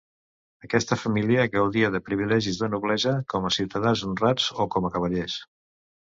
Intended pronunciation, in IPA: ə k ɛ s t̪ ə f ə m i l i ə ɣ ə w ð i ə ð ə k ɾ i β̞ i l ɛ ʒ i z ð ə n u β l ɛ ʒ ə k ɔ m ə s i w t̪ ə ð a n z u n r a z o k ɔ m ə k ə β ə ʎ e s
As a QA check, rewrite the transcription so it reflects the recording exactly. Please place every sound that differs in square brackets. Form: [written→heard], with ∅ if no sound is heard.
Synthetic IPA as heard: ə k ɛ s t̪ ə f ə m i l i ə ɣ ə w ð i ə ð ə [k→p] ɾ i β̞ i l ɛ ʒ i z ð ə n u β l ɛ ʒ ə k ɔ m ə s i w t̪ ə ð a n z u n r a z o k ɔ m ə k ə β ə ʎ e s

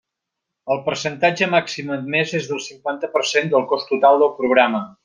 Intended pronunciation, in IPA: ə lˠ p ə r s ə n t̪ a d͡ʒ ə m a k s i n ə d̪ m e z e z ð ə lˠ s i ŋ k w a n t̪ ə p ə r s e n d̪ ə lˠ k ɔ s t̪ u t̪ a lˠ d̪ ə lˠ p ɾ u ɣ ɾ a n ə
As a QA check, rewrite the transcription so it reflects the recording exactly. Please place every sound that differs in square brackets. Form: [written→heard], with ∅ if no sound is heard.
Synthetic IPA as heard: ə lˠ p ə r s ə n t̪ a d͡ʒ ə m a k s i [n→m] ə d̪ m e z e z ð ə lˠ s i ŋ k w a n t̪ ə p ə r s e n d̪ ə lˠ k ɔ s t̪ u t̪ a lˠ d̪ ə lˠ p ɾ u ɣ ɾ a [n→m] ə

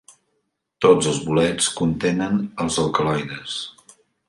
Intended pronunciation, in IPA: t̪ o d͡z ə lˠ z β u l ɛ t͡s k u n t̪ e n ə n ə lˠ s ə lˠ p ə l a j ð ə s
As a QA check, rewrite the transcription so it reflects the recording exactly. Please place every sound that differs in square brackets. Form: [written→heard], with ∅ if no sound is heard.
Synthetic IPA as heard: t̪ o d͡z ə lˠ z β u l ɛ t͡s k u n t̪ e n ə n ə lˠ [s→z] ə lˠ [p→k] ə l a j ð ə s

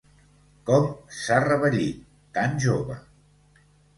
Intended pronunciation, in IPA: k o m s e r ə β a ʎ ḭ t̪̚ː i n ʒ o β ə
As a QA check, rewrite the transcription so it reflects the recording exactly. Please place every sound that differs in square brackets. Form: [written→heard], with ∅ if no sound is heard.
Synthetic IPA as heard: k [o→ɔ] m s [e→a] r ə β [a→ə] ʎ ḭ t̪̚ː [i→a] n ʒ o β ə

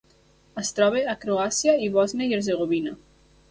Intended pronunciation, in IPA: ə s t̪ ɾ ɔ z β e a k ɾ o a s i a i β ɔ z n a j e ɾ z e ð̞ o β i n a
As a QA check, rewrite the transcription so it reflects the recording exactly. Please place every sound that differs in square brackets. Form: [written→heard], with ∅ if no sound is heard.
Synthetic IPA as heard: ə s t̪ ɾ ɔ [z→∅] β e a k ɾ o a s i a i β ɔ z n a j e ɾ z e [ð̞→ɣ̞] o β i n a

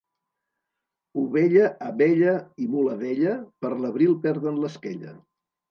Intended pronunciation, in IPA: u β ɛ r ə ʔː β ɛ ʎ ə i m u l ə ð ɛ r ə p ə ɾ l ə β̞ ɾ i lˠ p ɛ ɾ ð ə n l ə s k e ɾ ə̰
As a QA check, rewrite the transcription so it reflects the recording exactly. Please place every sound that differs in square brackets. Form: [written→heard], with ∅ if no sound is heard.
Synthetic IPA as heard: u β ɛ [r→ʎ] ə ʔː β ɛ ʎ ə i m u l ə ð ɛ [r→ʎ] ə p ə ɾ l ə β̞ ɾ i lˠ p ɛ ɾ ð ə n l ə s k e [ɾ→ʎ] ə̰

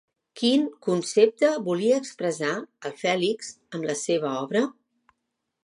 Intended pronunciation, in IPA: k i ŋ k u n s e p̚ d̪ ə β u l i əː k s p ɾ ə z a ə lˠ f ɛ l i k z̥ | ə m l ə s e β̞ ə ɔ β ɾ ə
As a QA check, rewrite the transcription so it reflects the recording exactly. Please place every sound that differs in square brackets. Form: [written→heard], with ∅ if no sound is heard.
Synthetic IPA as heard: k i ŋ k u n s e p̚ [d̪→t̪] ə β u l i əː k s p ɾ ə z a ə lˠ f ɛ l i k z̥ | ə m l ə s e β̞ ə ɔ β ɾ ə

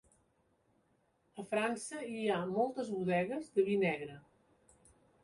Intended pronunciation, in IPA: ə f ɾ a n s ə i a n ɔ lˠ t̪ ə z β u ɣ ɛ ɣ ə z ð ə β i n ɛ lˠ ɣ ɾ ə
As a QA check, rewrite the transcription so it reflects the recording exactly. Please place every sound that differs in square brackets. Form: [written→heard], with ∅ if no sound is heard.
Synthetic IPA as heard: ə f ɾ a n s ə i a [n→m] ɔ lˠ t̪ ə z β u [ɣ→ð] ɛ ɣ ə z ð ə β i n ɛ [lˠ→∅] ɣ ɾ ə

